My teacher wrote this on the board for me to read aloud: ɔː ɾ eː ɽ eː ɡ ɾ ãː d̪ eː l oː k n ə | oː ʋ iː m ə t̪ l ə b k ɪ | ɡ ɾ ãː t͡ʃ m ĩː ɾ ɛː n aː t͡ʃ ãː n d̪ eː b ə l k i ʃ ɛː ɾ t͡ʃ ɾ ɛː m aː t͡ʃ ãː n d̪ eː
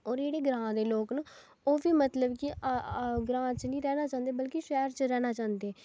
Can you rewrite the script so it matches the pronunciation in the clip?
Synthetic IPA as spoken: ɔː ɾ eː ɽ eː ɡ ɾ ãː d̪ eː l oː k n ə | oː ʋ iː m ə t̪ l ə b k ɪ | ɡ ɾ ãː t͡ʃ n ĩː ɾ ɛː n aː t͡ʃ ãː n d̪ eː b ə l k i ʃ ɛː ɾ t͡ʃ ɾ ɛː n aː t͡ʃ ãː n d̪ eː